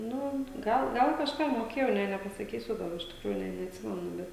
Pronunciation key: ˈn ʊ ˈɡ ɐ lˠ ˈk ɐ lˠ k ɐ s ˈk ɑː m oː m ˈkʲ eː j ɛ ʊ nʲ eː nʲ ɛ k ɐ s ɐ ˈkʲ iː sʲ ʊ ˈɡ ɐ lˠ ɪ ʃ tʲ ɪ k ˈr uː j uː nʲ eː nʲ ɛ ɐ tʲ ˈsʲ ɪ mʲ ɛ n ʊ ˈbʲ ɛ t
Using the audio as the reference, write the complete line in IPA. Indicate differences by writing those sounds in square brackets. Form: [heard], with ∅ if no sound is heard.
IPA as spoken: ˈn ʊ ˈɡ ɐ lˠ [ˈɡ] ɐ lˠ k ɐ [ʃ] ˈk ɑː m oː [∅] ˈkʲ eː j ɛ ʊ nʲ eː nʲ ɛ [p] ɐ s ɐ ˈkʲ iː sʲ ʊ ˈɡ ɐ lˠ ɪ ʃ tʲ ɪ k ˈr uː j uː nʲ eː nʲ ɛ ɐ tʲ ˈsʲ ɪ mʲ ɛ n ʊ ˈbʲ ɛ t